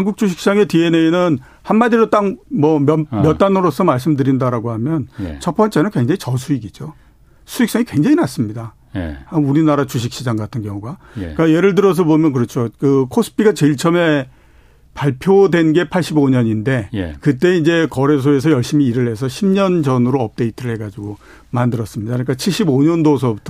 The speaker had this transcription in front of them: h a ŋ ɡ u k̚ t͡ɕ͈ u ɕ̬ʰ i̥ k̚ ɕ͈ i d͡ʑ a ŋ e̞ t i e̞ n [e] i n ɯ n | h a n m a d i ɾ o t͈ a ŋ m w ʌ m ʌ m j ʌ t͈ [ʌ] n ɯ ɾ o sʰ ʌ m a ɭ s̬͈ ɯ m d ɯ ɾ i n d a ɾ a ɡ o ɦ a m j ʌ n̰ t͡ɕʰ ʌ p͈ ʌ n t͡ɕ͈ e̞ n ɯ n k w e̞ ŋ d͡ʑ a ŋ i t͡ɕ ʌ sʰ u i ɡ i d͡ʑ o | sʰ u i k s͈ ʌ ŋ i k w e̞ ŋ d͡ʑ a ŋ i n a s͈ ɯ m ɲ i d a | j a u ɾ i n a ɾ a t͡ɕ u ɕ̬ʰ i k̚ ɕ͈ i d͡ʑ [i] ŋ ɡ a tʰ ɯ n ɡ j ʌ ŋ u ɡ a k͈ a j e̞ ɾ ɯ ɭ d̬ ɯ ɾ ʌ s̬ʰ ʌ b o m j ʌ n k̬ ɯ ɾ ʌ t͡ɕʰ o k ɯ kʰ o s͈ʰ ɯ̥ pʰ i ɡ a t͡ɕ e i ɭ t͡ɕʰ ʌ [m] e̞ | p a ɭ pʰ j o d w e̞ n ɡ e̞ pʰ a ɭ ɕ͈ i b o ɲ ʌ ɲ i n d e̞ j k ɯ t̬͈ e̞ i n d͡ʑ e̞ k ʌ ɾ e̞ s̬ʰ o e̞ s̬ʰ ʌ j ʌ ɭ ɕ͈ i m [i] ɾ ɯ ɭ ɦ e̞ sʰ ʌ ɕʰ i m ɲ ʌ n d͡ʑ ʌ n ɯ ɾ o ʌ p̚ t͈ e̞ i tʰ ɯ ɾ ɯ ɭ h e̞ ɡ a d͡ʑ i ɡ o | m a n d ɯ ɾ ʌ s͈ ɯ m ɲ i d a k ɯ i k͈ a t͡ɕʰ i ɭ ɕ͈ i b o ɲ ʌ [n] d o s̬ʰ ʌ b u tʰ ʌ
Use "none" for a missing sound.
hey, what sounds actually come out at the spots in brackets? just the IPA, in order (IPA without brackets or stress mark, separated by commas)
e, a, a, m, iː, n